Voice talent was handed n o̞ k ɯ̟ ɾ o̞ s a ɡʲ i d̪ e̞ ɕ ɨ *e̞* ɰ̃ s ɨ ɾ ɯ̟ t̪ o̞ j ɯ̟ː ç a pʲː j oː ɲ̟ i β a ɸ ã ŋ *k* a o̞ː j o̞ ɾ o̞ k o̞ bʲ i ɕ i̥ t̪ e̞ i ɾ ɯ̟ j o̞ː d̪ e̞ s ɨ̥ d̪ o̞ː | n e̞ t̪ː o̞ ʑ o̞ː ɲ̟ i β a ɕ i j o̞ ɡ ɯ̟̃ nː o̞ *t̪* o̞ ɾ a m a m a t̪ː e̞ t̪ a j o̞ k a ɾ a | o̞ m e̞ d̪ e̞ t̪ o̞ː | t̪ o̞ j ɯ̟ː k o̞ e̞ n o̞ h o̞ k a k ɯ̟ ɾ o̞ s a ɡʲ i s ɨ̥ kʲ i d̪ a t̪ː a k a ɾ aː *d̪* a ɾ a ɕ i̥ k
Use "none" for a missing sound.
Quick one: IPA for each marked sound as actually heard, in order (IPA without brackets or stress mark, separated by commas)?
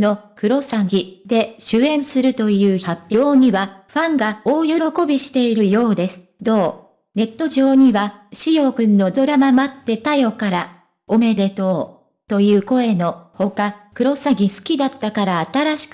ẽ̞, ɡ, d̪, t̪